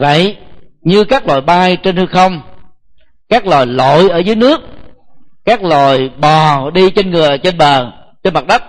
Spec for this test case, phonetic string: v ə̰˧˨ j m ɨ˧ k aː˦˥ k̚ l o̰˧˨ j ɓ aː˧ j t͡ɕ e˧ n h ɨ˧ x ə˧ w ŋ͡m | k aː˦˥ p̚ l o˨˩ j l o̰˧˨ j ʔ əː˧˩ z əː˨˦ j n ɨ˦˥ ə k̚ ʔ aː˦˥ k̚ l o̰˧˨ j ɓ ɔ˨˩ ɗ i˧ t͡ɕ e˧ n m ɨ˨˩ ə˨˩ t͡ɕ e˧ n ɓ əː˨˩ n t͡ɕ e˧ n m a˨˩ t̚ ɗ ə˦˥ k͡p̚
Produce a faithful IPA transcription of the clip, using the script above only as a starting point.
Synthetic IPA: v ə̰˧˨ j ɲ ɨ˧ k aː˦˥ k̚ l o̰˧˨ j ɓ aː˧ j t͡ɕ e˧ n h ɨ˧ x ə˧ w ŋ͡m | k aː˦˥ k̚ l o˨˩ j l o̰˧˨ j ʔ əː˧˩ z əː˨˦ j n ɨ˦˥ ə k̚ k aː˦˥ k̚ l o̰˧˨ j ɓ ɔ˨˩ ɗ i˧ t͡ɕ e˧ n ŋ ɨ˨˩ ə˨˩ t͡ɕ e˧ n ɓ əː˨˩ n t͡ɕ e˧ n m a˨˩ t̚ ɗ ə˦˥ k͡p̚